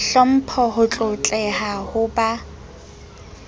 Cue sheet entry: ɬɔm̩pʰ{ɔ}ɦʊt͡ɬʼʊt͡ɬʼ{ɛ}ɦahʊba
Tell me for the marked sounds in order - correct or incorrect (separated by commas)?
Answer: correct, correct